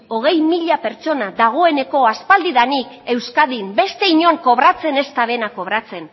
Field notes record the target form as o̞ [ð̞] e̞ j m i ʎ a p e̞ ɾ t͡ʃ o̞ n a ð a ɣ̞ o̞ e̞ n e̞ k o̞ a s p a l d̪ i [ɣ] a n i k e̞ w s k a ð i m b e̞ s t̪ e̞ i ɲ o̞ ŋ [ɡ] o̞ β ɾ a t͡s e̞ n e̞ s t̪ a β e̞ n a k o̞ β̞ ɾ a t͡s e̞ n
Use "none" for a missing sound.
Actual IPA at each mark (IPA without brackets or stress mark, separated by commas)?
ɣ̞, ð, k